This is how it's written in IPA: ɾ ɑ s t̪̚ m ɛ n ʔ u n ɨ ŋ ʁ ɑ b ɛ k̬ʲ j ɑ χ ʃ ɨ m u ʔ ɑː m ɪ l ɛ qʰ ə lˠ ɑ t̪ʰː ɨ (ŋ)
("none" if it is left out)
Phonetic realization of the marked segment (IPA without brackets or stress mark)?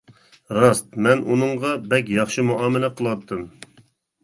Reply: m